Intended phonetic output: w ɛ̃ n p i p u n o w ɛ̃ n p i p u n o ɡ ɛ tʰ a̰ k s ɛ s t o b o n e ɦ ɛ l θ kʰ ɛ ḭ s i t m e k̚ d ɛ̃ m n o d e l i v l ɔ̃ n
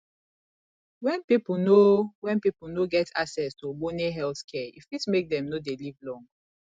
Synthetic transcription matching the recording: w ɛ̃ n p i p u n o w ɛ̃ n p i p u n o ɡ ɛ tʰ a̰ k s ɛ s t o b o n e ɦ ɛ l θ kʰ ɛ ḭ f i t m e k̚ d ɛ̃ m n o d e l i v l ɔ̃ ŋ